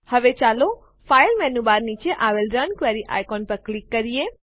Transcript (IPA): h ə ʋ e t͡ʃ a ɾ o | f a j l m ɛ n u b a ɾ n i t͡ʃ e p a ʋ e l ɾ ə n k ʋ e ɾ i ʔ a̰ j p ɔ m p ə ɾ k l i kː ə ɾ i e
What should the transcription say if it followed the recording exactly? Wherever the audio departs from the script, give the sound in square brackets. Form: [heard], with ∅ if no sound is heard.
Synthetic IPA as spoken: h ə ʋ e t͡ʃ a [l] o | f a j l m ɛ n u b a ɾ n i t͡ʃ e [ʔ] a ʋ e l ɾ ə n k ʋ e ɾ i ʔ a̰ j [k] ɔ [n] p ə ɾ k l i kː ə ɾ i e